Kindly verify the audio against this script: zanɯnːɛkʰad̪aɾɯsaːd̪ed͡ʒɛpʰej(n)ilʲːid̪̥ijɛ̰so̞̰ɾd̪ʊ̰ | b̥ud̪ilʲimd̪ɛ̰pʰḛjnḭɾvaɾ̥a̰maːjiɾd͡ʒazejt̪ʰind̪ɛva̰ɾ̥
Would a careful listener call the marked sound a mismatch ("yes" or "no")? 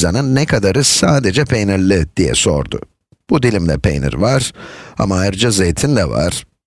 no